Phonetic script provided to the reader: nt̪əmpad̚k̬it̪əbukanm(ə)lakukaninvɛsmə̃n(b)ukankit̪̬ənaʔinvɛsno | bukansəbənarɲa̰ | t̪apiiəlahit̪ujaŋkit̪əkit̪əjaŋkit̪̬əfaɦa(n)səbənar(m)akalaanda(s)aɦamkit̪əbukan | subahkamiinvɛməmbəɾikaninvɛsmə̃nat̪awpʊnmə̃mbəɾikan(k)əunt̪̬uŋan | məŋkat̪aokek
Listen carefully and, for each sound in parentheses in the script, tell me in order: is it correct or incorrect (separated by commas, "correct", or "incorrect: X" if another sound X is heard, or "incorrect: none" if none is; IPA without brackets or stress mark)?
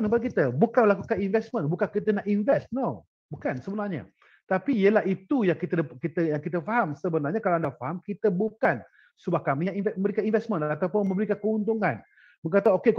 correct, correct, incorrect: m, incorrect: ɲ, incorrect: f, correct